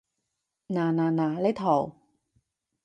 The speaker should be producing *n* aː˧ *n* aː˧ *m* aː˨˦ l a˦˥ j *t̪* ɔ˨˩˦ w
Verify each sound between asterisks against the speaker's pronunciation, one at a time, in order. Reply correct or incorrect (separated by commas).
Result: correct, correct, incorrect, incorrect